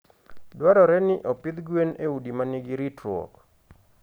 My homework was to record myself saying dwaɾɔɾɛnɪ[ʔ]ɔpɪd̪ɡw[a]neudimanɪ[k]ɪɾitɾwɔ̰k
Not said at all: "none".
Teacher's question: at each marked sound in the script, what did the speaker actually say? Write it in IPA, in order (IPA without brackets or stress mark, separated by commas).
ʔ, e, ɡ